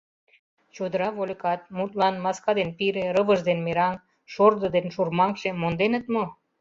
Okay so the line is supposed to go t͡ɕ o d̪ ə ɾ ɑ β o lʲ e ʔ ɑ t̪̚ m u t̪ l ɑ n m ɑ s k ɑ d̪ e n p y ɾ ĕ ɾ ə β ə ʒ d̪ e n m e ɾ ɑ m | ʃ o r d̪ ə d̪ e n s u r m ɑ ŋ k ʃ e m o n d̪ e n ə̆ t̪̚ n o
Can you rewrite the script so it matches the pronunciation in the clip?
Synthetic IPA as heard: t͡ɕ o d̪ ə ɾ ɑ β o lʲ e k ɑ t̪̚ m u t̪ l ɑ n m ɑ s k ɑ d̪ e n p i ɾ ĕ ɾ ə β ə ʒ d̪ e n m e ɾ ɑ ŋ | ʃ o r d̪ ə d̪ e n ʃ u r m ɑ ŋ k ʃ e m o n d̪ e n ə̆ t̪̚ m o